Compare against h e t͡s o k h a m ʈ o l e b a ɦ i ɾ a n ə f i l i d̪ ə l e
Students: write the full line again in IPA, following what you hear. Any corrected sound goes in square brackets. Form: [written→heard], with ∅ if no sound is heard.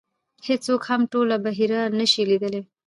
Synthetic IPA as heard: h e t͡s o k h a m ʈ o l [e→a] b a ɦ i ɾ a n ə [f→ʃ] i l i d̪ ə l e

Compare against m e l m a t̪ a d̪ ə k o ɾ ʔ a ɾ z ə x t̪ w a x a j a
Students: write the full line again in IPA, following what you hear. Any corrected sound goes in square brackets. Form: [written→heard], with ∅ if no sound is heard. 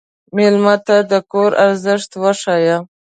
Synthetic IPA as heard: m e l m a t̪ a d̪ ə k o ɾ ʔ a ɾ z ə [x→ʂ] t̪ w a [x→ʂ] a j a

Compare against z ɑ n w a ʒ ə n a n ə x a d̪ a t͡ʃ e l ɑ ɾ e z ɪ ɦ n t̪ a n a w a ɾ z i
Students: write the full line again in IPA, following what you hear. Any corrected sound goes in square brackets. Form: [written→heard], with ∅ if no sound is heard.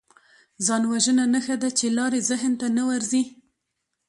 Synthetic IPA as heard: z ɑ n w a ʒ ə n a n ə x a d̪ a t͡ʃ e l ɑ ɾ e z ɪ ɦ n t̪ a n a w a ɾ z i

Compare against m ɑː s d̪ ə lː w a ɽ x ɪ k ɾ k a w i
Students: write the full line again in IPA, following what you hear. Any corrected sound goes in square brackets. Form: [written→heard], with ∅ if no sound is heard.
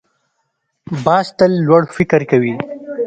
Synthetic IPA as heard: [m→b] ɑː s [d̪→t̪] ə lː w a ɽ [x→f] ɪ k ɾ k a w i

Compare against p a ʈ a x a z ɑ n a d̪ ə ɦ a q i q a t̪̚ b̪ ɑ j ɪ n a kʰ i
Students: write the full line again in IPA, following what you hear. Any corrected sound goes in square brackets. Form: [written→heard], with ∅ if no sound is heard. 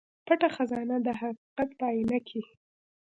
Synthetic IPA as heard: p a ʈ a x a z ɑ n a d̪ ə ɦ a q i q a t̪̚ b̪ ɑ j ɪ n a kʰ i

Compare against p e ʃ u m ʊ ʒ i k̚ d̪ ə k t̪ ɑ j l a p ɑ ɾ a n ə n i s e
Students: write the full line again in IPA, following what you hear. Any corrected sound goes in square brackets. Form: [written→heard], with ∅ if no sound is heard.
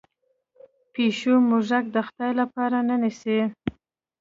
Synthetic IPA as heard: p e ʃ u m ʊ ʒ [i→a] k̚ d̪ ə [k→x] t̪ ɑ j l a p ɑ ɾ a n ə n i s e

